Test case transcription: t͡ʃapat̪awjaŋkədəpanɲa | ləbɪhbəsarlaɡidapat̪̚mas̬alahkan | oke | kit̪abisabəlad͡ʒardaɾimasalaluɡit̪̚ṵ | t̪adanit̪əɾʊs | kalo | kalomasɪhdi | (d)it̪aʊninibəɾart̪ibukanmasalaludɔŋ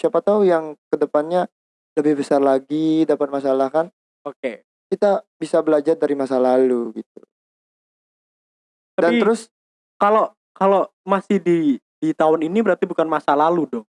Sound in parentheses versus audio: correct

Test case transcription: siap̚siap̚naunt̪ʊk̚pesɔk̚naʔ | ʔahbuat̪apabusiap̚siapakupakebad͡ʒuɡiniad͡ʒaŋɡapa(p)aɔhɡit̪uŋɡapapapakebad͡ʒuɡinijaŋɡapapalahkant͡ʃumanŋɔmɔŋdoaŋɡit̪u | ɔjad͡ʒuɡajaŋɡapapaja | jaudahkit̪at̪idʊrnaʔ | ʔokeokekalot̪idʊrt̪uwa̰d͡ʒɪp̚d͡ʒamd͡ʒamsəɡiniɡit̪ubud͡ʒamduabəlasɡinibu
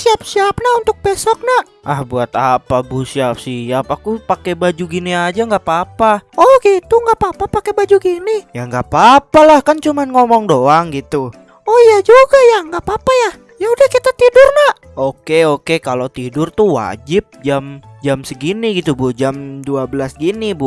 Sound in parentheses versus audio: correct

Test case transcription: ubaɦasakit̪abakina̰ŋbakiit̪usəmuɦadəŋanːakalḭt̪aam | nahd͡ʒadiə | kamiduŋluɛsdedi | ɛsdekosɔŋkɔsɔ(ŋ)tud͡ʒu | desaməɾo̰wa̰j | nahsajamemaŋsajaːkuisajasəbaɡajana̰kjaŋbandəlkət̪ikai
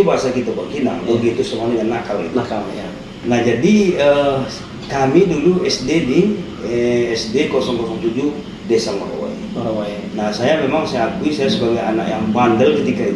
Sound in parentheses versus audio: correct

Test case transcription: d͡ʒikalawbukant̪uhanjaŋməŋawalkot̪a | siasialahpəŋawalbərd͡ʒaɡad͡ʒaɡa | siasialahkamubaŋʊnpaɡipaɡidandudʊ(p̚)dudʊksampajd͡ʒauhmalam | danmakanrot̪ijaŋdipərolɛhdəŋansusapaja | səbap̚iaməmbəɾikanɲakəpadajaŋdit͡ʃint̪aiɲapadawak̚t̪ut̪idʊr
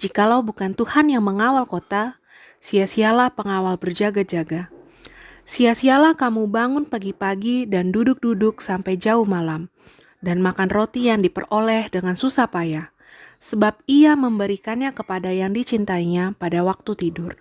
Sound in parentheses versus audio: incorrect: k̚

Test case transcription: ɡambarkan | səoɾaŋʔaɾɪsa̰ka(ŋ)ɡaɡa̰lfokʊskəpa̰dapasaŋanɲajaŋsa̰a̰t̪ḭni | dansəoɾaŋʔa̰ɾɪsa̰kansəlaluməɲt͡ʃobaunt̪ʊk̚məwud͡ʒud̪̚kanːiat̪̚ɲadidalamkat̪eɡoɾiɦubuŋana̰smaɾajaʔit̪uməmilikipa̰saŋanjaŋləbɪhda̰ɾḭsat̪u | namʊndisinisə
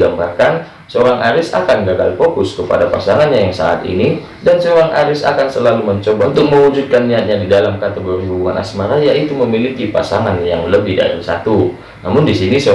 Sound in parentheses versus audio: incorrect: n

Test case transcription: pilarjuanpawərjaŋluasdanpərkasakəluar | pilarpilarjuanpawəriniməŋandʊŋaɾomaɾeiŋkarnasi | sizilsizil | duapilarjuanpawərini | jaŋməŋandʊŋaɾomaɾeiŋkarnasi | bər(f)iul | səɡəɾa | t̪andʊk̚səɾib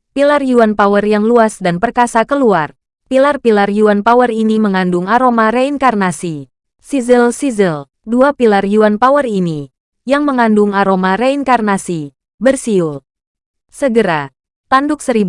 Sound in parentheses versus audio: incorrect: s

